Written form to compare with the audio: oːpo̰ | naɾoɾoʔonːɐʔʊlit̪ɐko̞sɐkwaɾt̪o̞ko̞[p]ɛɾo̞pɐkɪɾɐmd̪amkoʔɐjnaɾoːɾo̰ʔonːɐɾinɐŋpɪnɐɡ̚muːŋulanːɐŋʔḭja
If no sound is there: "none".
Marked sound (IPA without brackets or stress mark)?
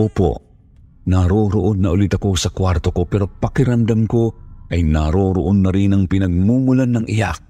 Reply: p